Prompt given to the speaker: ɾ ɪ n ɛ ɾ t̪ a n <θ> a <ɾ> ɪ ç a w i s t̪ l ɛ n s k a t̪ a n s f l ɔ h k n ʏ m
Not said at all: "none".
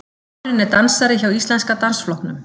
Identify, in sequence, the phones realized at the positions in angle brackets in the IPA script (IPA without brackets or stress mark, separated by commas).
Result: s, ɾ